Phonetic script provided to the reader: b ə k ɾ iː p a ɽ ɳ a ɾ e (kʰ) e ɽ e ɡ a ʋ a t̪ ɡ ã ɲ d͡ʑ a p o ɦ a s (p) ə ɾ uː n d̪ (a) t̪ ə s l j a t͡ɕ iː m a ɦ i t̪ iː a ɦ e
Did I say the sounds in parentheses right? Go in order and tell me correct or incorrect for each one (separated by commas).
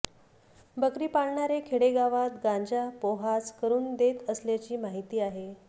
correct, incorrect, incorrect